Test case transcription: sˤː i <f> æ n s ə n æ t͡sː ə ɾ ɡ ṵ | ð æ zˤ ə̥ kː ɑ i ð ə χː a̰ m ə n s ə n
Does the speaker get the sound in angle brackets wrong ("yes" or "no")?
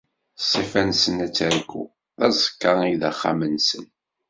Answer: no